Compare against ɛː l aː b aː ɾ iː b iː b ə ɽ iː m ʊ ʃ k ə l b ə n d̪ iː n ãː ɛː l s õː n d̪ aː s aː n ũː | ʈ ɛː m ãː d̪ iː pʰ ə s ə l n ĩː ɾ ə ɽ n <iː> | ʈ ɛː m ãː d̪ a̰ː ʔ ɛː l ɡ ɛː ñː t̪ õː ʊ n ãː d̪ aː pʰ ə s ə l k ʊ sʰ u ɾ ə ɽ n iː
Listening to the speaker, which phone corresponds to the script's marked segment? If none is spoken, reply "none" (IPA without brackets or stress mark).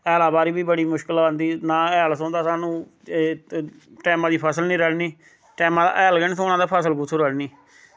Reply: iː